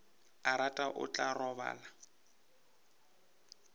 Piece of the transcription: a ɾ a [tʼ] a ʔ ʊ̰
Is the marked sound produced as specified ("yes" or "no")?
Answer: yes